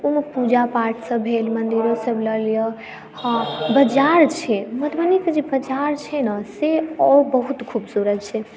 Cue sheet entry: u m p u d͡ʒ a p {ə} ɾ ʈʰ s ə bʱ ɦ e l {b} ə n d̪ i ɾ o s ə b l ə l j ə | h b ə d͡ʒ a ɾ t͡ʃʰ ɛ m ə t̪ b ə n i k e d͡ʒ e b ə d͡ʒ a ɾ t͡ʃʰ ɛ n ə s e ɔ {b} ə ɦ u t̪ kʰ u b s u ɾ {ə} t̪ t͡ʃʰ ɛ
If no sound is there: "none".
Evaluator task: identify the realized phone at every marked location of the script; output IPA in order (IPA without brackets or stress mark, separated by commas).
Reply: a, m, b, ə